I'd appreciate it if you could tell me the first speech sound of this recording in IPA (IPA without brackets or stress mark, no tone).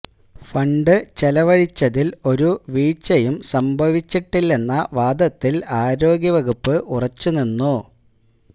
f